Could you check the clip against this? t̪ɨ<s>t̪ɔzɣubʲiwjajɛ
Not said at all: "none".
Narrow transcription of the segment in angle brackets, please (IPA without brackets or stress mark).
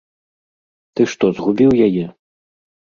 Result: ʂ